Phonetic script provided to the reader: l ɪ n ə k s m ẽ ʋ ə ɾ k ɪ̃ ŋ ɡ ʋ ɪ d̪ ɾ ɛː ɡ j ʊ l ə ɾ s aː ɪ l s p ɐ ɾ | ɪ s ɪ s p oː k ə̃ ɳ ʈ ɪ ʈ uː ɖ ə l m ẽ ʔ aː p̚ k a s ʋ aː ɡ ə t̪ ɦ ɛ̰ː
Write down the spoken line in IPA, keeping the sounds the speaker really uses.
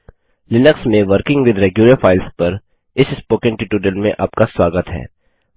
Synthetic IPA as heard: l ɪ n ə k s m ẽ ʋ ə ɾ k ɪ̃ ŋ ɡ ʋ ɪ d̪ ɾ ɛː ɡ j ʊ l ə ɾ f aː ɪ l s p ɐ ɾ | ɪ s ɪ s p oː k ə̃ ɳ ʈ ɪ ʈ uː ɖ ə l m ẽ ʔ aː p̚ k a s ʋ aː ɡ ə t̪ ɦ ɛ̰ː